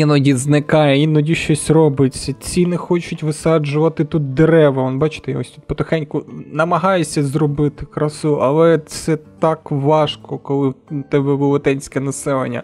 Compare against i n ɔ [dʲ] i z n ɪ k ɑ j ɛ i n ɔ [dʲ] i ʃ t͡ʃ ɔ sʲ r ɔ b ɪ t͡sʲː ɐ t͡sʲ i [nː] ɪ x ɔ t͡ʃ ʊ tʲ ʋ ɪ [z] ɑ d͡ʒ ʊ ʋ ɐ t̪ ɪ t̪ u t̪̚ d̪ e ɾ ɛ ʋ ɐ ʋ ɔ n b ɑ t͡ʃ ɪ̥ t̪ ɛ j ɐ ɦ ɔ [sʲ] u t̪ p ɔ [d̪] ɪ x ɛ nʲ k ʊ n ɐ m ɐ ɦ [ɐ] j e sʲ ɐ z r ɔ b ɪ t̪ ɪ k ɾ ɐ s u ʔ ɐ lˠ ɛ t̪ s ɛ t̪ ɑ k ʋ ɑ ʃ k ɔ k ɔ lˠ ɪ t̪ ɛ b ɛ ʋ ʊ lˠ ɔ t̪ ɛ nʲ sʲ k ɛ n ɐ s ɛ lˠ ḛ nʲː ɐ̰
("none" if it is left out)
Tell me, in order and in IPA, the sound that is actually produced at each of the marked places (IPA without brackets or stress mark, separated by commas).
dʲ, dʲ, n, s, sʲ, t̪, ɑ